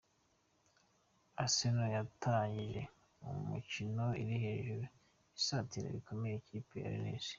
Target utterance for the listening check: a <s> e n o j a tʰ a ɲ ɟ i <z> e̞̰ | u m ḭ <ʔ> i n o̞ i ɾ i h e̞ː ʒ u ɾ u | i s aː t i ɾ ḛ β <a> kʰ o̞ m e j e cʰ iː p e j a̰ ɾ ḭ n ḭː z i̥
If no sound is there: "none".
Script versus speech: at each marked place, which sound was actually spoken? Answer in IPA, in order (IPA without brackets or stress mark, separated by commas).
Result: s, ʒ, c, i